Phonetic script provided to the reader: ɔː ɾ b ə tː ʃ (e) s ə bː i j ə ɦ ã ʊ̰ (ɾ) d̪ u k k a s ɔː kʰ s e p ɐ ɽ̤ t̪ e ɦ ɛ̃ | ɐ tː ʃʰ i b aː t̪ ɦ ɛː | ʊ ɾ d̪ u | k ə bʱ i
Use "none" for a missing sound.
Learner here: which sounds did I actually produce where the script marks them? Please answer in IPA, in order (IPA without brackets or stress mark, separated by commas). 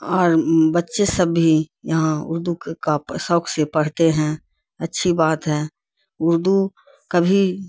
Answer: e, ɾ